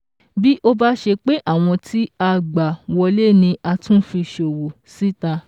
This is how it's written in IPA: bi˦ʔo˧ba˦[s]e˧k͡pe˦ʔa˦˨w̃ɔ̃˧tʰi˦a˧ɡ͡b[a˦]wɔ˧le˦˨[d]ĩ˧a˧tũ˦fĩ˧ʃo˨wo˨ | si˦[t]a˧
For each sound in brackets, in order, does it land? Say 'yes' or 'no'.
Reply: no, no, no, yes

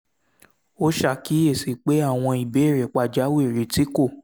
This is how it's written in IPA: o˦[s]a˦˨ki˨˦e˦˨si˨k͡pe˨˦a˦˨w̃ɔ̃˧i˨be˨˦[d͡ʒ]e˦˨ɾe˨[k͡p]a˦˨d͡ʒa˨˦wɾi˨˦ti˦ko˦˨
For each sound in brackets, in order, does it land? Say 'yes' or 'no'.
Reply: no, no, yes

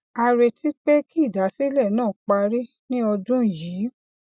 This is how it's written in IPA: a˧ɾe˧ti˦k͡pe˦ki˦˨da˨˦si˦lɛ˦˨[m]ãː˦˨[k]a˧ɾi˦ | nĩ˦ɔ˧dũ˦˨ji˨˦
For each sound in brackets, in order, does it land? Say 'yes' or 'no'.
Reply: no, no

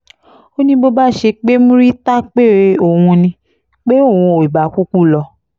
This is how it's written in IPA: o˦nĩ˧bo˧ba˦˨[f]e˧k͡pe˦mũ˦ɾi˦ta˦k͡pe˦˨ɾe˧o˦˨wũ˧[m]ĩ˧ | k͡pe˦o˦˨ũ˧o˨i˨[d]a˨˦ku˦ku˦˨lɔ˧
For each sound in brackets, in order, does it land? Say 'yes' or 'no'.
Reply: no, no, no

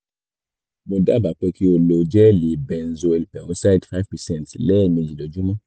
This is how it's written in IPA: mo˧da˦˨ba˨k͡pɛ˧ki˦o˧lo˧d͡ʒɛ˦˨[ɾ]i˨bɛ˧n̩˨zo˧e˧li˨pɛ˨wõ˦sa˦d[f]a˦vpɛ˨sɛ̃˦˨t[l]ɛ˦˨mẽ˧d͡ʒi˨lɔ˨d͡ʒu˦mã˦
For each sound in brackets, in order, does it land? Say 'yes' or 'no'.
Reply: no, yes, yes

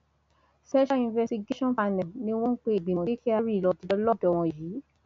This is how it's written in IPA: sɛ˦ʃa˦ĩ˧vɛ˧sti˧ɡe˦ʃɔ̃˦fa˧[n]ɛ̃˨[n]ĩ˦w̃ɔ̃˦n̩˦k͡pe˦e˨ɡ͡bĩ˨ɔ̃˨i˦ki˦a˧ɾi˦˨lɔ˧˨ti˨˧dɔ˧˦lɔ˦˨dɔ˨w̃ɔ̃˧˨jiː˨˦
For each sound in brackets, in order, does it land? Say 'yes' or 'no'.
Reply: yes, yes

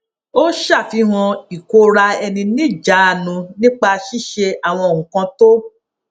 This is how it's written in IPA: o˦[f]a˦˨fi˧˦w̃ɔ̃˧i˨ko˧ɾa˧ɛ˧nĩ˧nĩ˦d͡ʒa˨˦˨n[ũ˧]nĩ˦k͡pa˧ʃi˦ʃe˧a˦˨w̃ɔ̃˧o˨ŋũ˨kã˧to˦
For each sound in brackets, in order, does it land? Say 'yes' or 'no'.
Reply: no, yes

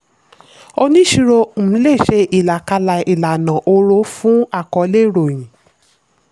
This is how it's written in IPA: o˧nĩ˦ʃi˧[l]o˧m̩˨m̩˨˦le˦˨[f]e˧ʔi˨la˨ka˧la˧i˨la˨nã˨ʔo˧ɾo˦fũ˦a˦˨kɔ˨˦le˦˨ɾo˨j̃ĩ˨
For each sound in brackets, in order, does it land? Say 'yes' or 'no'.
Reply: no, no

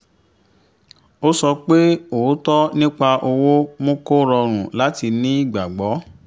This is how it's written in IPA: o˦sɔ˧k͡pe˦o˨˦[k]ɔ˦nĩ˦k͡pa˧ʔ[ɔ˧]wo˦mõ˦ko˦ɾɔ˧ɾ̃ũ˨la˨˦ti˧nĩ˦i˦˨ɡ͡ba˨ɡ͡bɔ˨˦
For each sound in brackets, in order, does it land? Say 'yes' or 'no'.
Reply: no, no

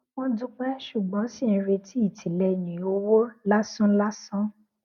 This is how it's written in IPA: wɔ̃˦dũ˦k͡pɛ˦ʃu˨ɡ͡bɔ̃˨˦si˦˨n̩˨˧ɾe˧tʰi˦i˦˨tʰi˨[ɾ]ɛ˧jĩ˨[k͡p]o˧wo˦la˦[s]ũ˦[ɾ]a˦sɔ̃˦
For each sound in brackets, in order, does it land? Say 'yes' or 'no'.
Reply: no, no, yes, no

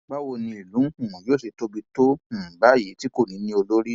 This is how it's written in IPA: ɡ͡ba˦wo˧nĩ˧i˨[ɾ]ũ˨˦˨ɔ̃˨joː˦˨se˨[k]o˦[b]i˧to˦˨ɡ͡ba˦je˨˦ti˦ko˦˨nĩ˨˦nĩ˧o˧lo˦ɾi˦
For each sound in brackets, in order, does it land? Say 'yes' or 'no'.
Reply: no, no, yes

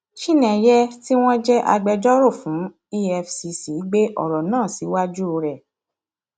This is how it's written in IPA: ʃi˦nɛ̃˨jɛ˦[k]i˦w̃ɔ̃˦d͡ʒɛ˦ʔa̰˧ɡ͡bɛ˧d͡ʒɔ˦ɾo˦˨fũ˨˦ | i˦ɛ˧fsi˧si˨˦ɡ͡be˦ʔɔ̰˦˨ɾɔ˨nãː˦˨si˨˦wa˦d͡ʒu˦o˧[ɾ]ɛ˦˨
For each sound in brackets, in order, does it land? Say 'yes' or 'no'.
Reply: no, yes

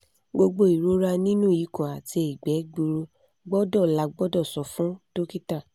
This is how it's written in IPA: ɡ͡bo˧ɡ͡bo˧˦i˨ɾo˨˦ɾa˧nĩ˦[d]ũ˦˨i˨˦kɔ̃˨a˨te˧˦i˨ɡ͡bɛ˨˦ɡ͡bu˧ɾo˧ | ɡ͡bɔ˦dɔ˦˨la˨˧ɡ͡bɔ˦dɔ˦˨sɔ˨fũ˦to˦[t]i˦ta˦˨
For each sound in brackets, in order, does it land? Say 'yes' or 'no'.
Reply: no, no

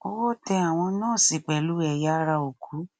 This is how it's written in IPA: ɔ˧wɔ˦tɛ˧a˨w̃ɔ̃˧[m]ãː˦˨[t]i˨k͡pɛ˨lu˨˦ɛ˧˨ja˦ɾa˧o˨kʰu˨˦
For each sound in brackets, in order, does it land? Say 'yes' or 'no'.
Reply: no, no

